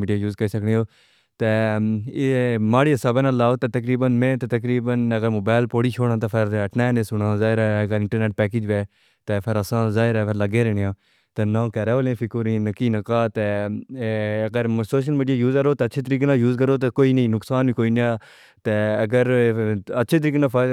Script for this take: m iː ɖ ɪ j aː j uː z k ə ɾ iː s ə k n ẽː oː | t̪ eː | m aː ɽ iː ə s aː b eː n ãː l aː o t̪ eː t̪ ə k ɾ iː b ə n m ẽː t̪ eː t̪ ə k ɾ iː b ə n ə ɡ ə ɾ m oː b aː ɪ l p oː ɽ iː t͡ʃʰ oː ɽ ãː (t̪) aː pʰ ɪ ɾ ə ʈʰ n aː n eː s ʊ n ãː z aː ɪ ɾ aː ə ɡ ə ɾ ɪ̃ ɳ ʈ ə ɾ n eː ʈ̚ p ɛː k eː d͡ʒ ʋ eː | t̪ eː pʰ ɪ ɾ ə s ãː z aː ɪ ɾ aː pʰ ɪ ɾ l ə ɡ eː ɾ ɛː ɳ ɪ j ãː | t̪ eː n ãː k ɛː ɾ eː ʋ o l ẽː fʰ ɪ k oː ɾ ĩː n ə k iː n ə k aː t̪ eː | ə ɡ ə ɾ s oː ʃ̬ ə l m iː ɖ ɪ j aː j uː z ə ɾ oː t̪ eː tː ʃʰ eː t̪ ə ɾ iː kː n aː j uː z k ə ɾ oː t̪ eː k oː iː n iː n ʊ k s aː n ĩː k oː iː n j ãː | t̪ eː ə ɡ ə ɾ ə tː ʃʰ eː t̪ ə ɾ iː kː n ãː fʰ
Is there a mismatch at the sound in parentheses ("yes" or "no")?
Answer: no